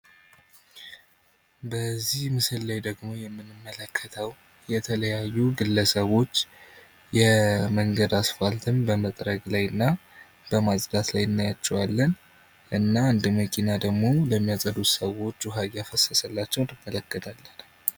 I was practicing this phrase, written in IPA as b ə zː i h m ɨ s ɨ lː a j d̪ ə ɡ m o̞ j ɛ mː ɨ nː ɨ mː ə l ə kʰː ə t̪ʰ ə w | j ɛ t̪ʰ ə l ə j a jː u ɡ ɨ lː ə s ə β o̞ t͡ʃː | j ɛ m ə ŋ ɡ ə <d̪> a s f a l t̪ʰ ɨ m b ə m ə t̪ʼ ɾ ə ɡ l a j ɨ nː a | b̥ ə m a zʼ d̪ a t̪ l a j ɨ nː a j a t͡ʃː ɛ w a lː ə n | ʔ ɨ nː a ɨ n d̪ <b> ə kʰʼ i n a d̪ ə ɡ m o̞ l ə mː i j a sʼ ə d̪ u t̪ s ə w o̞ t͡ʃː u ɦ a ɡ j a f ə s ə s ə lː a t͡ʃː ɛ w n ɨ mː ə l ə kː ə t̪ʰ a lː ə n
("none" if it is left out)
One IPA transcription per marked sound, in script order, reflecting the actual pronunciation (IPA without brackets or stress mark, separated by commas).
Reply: d̪, m